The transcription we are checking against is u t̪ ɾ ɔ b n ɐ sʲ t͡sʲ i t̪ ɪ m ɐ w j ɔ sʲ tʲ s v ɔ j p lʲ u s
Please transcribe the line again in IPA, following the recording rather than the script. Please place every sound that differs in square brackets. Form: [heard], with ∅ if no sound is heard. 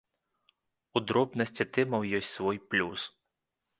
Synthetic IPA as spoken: u [d̪] ɾ ɔ b n ɐ sʲ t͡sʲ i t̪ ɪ m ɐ w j ɔ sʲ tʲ s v ɔ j p lʲ u s